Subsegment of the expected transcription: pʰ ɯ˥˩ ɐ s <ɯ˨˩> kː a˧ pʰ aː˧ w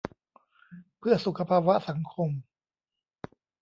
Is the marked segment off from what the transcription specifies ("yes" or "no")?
yes